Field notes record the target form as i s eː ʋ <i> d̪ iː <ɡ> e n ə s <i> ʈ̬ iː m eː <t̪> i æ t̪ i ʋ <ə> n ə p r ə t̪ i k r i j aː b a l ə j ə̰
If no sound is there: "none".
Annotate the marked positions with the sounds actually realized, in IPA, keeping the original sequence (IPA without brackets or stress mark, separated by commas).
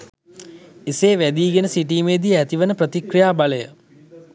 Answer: æ, ɡ, i, d̪, ə